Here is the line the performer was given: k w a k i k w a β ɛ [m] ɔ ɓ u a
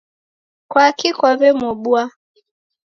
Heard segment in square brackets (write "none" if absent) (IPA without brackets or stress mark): m